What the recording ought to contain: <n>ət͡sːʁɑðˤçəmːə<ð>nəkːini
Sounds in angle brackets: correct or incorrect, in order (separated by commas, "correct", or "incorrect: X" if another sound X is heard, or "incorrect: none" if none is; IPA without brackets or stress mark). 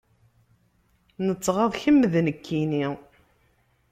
correct, correct